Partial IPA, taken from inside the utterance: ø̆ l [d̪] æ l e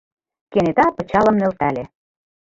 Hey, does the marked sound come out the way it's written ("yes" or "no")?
no